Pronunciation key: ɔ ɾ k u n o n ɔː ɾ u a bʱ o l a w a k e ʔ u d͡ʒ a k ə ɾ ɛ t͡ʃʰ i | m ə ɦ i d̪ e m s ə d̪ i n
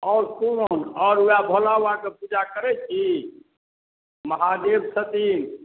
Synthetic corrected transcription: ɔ ɾ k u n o n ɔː ɾ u a bʱ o l a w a k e p u d͡ʒ a k ə ɾ ɛ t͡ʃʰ i | m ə ɦ a d̪ e b s ə t̪ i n